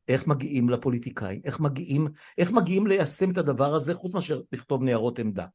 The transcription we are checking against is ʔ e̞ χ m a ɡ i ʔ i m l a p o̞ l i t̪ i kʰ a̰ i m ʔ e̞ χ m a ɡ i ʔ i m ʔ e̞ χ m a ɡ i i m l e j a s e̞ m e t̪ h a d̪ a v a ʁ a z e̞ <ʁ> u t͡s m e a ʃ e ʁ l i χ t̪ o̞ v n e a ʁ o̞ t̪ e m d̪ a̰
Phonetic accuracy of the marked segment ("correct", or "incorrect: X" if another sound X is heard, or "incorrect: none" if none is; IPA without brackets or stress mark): incorrect: χ